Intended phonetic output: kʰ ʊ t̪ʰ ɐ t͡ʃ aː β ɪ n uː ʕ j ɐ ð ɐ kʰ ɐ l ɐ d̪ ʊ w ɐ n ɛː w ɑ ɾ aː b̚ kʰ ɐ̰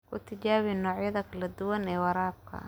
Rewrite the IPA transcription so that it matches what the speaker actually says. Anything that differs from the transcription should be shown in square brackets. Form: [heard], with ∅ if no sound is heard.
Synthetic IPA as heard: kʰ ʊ t̪ʰ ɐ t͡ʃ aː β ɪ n [ɔː] ʕ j ɐ ð ɐ kʰ ɐ l ɐ d̪ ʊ w ɐ n ɛː w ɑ ɾ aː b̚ kʰ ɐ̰